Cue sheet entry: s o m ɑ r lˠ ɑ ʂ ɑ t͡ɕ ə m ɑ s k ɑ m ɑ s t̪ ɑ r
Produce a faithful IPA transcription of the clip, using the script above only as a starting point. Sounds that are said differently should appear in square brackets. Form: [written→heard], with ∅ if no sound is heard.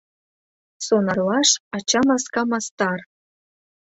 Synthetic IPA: s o [m→n] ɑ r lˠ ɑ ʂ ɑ t͡ɕ [ə→ɑ] m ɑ s k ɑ m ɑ s t̪ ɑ r